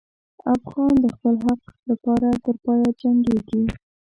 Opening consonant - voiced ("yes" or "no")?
no